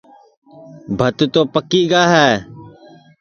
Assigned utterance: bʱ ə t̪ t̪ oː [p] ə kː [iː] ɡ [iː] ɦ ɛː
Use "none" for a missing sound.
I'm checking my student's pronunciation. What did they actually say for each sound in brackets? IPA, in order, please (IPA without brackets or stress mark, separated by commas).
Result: p, iː, aː